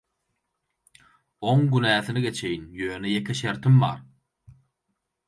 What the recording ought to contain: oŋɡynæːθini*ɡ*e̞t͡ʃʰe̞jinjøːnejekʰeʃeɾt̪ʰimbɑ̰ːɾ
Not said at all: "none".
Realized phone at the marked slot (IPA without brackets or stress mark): ɡ